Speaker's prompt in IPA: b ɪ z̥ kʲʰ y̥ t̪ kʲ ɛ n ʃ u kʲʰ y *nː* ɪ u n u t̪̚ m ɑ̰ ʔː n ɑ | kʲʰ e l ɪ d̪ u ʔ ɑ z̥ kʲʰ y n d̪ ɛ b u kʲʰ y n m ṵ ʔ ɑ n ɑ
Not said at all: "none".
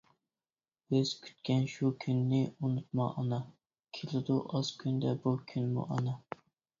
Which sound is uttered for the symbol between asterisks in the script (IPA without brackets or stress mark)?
nː